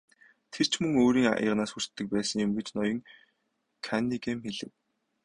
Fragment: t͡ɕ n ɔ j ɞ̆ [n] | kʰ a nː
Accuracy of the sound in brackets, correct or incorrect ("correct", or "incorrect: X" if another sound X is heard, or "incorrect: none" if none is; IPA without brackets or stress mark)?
incorrect: ŋ